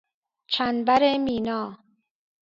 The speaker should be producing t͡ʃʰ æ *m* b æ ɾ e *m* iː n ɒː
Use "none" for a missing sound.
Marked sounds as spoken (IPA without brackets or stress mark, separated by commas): n, m